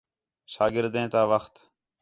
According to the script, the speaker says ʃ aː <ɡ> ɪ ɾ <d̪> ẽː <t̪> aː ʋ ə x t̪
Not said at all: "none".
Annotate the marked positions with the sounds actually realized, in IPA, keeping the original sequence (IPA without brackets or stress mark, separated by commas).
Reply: ɡ, d̪, t̪